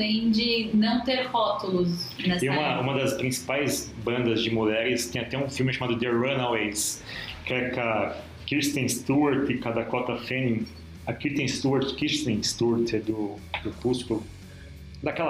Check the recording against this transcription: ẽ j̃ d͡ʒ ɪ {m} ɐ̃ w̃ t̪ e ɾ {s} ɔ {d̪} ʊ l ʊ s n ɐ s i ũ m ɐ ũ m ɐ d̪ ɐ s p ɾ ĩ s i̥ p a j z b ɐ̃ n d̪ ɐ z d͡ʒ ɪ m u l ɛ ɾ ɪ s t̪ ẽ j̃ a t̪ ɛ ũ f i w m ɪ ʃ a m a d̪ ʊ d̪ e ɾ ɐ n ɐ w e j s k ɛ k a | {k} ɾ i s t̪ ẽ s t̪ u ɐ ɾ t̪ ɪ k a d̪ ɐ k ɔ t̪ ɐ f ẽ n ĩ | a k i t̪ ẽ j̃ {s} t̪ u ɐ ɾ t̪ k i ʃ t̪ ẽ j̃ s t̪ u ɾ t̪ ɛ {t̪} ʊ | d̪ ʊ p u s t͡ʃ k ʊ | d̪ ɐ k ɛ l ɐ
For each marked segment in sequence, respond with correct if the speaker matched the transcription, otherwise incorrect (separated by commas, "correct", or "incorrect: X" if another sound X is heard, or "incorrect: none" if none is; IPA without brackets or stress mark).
incorrect: n, incorrect: h, incorrect: t̪, correct, correct, incorrect: d̪